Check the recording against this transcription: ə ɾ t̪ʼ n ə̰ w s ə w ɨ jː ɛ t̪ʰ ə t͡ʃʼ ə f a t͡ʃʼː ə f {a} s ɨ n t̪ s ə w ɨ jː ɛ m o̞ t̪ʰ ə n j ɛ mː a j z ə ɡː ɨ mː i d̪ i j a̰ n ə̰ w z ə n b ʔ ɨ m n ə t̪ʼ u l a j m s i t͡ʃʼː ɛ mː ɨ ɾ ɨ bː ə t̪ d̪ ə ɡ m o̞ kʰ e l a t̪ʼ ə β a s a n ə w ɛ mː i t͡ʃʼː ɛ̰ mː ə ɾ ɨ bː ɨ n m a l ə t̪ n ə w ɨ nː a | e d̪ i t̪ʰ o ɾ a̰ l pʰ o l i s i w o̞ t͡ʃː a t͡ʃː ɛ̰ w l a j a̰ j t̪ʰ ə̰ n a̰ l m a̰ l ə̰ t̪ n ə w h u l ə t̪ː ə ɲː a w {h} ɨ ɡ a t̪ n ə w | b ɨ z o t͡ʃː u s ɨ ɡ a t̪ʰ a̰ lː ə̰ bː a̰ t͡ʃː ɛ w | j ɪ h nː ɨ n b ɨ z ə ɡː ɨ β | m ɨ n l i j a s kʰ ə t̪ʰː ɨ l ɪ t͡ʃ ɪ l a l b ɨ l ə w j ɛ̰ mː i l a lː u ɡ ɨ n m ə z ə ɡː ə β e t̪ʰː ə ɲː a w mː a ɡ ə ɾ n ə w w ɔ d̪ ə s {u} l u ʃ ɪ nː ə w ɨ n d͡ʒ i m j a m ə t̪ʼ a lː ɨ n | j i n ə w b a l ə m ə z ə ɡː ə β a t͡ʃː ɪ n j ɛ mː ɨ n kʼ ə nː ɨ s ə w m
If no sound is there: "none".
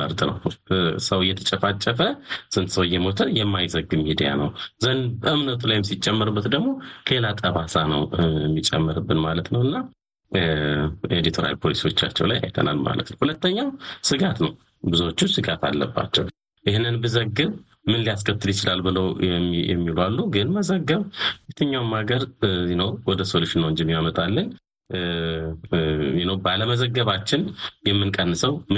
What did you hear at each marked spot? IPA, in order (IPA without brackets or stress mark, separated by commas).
ə, s, o